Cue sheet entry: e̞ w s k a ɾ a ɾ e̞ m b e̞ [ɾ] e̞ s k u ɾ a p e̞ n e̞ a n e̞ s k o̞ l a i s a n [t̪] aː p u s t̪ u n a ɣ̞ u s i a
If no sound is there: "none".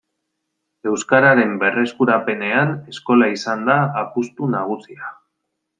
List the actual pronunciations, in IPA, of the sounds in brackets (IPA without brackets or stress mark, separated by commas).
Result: r, d̪